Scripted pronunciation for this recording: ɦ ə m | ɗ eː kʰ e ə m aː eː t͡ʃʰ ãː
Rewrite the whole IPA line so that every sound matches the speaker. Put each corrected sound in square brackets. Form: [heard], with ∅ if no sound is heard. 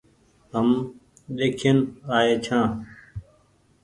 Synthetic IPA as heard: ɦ ə m | ɗ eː kʰ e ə [n] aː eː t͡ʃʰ ãː